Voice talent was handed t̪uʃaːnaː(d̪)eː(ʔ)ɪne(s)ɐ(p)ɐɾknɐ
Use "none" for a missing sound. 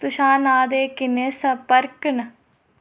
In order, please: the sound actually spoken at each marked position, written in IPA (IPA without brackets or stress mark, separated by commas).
d̪, k, s, p